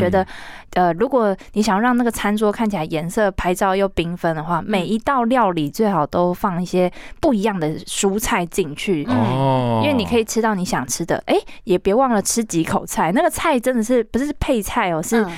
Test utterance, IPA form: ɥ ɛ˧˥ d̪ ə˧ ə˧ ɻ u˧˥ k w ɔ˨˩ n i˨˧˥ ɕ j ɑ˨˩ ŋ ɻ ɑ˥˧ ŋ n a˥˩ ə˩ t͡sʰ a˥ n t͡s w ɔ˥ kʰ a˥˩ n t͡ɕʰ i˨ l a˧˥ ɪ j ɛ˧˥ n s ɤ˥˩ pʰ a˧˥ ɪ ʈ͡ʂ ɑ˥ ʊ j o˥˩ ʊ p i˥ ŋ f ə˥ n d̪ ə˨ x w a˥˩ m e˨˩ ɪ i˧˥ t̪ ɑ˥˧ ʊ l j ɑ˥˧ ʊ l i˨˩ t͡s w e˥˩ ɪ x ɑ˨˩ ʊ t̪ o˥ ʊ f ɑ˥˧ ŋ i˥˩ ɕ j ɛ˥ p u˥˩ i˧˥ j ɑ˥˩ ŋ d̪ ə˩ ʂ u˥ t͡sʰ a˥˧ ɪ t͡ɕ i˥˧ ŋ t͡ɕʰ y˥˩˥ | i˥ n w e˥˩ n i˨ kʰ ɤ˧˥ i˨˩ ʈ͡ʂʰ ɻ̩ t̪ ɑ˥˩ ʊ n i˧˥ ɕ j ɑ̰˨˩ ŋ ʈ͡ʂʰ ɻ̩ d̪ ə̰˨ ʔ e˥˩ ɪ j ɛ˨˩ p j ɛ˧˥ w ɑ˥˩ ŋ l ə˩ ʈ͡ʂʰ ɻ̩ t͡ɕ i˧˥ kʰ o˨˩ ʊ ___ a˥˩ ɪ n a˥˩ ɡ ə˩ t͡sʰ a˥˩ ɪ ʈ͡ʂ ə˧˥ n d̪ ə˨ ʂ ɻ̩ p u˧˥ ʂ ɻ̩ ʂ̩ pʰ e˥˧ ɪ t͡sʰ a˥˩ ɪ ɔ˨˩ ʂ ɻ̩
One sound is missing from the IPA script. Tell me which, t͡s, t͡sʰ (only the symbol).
t͡sʰ